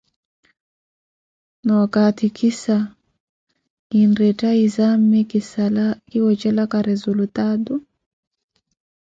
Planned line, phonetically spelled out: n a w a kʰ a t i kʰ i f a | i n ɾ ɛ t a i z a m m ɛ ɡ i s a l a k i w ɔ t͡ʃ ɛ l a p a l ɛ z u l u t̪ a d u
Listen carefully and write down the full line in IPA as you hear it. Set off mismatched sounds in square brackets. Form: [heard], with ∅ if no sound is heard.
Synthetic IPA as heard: n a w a [k] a t i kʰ i [s] a | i n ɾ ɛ t a i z a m m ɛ [k] i s a l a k i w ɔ t͡ʃ ɛ l a [k] a [ɾ] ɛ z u l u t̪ a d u

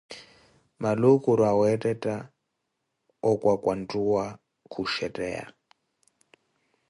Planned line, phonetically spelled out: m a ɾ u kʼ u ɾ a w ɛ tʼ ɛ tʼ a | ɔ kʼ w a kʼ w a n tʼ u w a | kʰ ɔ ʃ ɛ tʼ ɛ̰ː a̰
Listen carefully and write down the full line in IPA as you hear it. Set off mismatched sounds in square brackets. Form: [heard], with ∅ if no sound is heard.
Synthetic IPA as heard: m a [l] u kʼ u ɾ a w ɛ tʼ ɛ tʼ a | ɔ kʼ w a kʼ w a n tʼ u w a | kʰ [u] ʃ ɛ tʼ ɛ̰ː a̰

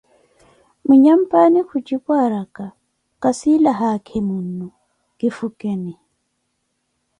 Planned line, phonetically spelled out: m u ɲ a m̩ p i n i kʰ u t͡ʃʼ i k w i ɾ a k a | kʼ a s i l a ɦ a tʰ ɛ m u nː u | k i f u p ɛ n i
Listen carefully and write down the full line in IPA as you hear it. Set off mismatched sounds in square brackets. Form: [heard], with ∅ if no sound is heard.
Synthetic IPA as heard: m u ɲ a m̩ p [a] n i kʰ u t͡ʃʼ i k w [a] ɾ a k a | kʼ a s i l a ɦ a [kʰ] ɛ m u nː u | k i f u [k] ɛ n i

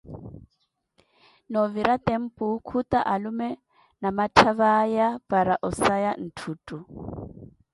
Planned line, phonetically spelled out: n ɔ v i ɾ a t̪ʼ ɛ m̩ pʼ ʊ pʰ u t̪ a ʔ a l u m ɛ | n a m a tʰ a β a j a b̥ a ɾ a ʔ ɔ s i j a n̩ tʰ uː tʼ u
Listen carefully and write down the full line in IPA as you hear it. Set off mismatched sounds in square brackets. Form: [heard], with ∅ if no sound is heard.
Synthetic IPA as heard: n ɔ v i ɾ a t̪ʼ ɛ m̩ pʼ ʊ [kʰ] u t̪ a ʔ a l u m ɛ | n a m a tʰ a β a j a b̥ a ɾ a ʔ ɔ s [a] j a n̩ tʰ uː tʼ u

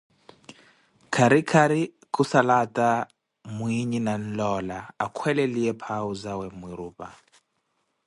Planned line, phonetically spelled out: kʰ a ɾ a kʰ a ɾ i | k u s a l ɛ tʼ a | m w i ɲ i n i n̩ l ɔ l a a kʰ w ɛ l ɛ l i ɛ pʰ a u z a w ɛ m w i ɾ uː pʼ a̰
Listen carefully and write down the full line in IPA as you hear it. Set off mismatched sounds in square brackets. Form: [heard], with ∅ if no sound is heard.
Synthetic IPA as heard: kʰ a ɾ [i] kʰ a ɾ i | k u s a l [a] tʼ a | m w i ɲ i n [a] n̩ l ɔ l a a kʰ w ɛ l ɛ l i ɛ pʰ a u z a w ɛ m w i ɾ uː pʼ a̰

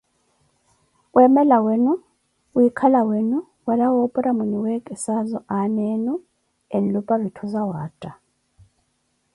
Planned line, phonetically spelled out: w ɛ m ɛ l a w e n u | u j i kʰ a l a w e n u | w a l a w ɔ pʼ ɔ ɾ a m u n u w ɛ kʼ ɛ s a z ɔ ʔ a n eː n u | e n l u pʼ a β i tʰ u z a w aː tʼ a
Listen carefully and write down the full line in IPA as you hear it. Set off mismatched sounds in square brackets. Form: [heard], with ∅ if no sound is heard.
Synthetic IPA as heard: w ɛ m ɛ l a w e n u | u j i kʰ a l a w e n u | w a l a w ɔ pʼ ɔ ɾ a m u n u w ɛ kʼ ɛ s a z ɔ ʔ a n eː n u | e n l u pʼ a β i tʰ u z a w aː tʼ a

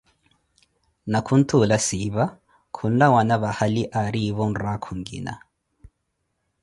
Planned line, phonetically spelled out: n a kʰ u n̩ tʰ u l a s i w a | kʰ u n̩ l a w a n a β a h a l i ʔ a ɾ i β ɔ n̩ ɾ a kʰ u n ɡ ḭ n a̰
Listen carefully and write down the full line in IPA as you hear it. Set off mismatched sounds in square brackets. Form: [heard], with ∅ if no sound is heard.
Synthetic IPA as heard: n a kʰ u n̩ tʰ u l a s i [β] a | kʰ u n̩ l a w a n a β a h a l i ʔ a ɾ i β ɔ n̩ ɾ a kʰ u [ŋ] ɡ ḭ n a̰

